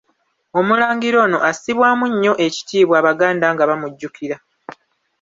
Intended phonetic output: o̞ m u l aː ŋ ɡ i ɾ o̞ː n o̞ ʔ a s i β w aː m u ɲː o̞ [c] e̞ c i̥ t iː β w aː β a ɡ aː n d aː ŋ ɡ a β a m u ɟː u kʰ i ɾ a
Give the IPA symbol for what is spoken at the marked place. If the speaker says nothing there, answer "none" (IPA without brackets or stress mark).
ʔ